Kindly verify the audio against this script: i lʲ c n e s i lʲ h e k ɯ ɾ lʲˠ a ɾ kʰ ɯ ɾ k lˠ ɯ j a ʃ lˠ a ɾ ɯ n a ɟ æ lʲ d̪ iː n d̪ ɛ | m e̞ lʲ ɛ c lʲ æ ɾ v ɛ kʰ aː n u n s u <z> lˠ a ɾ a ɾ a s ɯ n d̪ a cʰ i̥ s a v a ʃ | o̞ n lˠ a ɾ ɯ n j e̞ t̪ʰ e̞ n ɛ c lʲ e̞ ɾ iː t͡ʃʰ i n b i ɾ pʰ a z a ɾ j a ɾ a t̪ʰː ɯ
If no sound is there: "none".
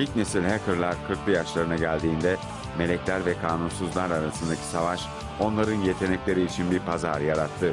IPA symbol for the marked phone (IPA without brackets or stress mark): z